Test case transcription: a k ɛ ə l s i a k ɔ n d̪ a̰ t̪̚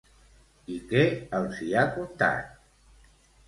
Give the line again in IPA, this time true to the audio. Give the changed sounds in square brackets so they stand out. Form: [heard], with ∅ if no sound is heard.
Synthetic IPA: [i] k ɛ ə l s i a k [u] n [t̪] a̰ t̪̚